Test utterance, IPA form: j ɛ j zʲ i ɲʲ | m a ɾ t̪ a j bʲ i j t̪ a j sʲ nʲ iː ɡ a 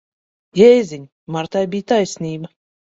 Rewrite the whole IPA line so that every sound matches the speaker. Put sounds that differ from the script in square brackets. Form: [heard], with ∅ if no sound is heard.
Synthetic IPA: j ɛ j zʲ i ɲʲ | m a ɾ t̪ a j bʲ i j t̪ a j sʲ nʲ iː [b] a